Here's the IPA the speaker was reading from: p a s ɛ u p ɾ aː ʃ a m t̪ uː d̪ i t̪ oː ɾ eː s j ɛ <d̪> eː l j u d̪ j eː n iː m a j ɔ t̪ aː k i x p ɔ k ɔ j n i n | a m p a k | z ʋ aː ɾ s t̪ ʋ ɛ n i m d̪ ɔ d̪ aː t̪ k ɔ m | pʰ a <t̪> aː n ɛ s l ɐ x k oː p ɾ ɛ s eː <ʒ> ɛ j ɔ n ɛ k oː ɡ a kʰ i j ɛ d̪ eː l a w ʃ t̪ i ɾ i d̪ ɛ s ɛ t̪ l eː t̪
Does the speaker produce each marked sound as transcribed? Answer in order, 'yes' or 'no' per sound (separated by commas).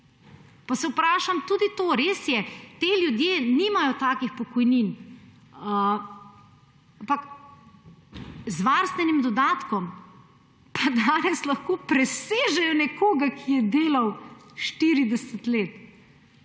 no, no, yes